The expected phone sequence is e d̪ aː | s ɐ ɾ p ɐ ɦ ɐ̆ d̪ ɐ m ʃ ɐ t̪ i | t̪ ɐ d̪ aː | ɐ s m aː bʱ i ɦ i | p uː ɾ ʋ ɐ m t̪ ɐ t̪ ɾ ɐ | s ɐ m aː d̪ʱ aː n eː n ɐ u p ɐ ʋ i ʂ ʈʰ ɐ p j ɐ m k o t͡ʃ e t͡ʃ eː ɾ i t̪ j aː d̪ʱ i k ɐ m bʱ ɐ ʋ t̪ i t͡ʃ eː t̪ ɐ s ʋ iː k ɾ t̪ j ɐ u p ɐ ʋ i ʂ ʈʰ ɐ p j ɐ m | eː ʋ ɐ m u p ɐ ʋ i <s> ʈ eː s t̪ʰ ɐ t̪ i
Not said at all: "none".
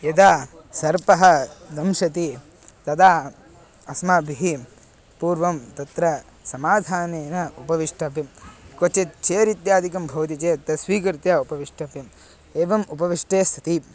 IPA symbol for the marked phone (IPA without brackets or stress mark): ʂ